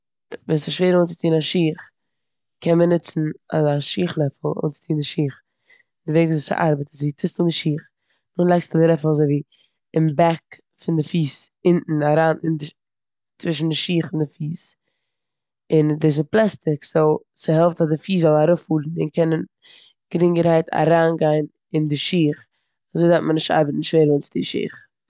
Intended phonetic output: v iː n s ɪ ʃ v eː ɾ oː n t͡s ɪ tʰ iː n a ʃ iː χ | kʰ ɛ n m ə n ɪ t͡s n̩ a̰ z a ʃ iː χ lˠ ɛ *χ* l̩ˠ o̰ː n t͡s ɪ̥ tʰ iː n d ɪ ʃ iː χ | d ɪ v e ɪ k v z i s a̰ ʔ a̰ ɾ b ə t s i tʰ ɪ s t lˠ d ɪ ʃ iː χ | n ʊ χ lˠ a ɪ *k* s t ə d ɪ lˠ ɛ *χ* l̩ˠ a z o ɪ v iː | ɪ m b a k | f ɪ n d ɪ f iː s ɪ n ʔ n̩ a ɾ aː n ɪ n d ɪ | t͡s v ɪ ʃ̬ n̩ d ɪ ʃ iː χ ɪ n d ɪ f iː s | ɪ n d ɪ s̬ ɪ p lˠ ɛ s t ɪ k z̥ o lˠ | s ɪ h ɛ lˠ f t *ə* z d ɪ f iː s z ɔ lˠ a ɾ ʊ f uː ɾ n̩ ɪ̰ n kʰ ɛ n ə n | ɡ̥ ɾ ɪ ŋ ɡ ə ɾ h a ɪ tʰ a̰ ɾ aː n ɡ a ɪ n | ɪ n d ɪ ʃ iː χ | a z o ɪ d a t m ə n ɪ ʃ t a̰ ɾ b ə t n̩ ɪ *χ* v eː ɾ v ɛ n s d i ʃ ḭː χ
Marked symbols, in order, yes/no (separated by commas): no, yes, no, no, no